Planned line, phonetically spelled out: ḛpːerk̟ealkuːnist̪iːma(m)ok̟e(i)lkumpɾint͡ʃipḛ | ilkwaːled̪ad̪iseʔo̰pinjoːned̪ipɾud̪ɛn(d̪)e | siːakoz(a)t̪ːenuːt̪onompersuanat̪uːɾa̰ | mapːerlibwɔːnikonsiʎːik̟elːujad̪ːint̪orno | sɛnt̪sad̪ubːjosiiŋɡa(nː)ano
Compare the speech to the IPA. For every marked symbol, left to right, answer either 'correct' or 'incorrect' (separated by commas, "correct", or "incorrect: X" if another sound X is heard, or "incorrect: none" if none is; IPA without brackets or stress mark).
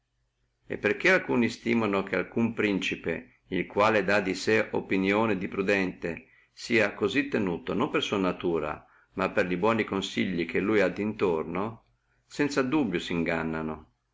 incorrect: n, incorrect: a, incorrect: t̪, incorrect: i, correct